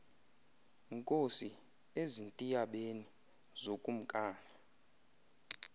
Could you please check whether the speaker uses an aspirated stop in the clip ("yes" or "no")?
no